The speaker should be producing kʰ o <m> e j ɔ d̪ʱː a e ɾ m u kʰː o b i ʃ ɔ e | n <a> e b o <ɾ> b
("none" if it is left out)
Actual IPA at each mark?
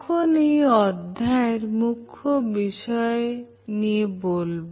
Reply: n, i, l

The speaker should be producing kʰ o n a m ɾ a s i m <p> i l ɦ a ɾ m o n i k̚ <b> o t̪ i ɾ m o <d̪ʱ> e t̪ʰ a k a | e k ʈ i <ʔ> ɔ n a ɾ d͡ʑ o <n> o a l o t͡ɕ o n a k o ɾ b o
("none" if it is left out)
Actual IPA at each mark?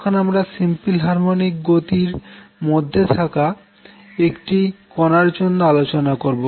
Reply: p, ɡ, d̪ʱː, k, nː

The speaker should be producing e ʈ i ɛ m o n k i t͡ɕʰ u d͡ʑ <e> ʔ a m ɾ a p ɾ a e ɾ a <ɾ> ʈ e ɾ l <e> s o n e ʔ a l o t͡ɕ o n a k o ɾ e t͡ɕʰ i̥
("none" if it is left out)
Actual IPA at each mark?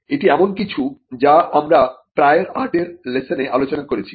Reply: a, ɾ, e

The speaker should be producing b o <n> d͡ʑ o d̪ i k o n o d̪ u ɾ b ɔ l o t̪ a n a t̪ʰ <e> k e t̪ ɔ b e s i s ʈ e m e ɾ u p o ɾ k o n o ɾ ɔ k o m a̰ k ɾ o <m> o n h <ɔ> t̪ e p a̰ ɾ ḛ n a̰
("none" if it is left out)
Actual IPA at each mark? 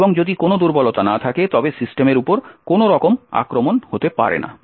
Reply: ŋ, a, m, o

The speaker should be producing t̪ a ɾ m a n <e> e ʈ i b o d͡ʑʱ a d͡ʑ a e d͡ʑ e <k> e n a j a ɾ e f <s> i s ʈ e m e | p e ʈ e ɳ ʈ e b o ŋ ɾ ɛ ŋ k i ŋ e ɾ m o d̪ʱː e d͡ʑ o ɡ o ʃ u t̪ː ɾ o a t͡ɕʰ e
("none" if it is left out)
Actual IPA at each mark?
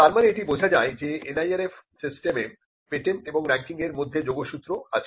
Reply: e, none, s

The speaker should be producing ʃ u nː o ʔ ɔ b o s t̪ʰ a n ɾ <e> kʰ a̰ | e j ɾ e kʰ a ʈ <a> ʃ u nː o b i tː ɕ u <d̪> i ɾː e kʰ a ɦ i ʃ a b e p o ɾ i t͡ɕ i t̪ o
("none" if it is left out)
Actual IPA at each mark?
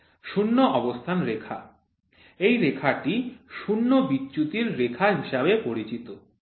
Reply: e, i, t̪

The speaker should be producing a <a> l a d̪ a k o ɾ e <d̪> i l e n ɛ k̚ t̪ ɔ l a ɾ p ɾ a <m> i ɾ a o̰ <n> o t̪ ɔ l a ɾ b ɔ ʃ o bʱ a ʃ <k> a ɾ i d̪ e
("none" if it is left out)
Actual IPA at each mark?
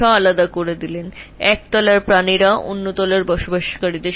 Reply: a, d̪, n, nː, k

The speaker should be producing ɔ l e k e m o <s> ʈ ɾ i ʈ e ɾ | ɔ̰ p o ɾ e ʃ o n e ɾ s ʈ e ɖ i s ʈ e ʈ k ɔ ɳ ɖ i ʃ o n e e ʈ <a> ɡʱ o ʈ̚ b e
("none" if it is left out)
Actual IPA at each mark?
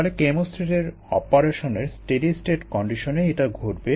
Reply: s, a

